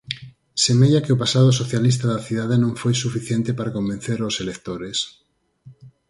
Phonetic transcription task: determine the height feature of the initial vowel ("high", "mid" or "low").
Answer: mid